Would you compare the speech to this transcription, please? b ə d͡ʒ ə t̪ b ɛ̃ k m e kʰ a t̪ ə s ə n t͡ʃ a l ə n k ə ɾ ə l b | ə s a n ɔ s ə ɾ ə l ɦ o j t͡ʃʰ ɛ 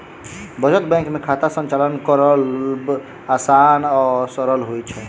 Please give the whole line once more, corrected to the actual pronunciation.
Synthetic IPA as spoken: b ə d͡ʒ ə t̪ b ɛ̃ k m e kʰ a t̪ a s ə n t͡ʃ a l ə n k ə ɾ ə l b | a s a n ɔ s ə ɾ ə l ɦ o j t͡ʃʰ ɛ